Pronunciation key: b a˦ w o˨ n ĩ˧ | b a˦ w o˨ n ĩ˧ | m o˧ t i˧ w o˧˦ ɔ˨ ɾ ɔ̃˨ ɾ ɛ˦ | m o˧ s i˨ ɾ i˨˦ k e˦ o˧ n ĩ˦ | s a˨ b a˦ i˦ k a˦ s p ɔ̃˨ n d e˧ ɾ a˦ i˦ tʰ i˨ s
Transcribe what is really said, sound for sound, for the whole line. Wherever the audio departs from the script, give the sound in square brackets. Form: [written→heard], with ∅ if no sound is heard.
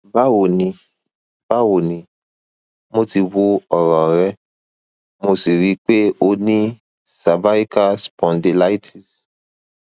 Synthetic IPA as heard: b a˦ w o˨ n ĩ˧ | b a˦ w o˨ n ĩ˧ | m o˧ t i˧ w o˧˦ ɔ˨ ɾ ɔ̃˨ ɾ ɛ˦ | m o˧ s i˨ ɾ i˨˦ [k→k͡p] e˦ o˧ n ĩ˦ | s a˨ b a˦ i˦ k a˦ s p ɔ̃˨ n d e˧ [ɾ→l] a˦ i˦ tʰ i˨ s